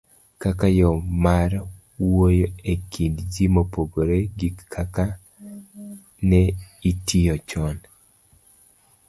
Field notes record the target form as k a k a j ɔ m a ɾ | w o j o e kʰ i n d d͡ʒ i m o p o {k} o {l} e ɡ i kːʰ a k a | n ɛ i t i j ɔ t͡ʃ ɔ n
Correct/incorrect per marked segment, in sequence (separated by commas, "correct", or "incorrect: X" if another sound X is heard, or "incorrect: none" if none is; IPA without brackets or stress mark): incorrect: ɡ, incorrect: ɾ